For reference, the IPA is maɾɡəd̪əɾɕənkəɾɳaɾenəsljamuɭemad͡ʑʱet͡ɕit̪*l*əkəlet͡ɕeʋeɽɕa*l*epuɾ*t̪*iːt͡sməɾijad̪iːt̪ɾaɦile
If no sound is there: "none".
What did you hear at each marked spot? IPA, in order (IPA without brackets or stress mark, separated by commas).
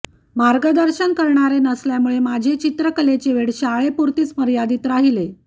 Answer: ɾ, ɭ, t̪